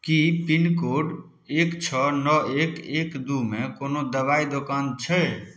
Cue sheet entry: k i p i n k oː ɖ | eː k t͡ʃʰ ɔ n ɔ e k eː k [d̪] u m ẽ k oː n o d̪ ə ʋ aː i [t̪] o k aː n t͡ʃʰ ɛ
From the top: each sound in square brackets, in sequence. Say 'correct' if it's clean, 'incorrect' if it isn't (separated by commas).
correct, incorrect